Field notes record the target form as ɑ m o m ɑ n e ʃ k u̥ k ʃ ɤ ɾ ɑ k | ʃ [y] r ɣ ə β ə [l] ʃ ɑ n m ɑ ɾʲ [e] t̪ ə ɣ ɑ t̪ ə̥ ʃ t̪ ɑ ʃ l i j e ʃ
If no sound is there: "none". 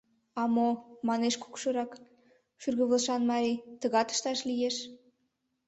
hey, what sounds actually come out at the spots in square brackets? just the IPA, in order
y, l, i

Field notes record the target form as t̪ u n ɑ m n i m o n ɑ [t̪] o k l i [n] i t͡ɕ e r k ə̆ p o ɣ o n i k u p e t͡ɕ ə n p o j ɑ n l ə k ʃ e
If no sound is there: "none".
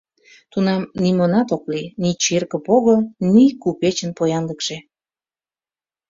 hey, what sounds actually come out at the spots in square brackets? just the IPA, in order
t̪, n

